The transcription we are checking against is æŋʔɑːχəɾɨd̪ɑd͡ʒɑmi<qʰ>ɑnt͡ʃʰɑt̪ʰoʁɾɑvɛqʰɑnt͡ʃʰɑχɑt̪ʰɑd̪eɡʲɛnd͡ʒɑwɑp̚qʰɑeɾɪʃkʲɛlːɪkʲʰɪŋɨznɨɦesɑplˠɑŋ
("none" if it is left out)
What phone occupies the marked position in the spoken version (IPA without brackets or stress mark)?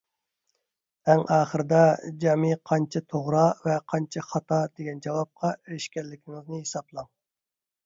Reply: qʰ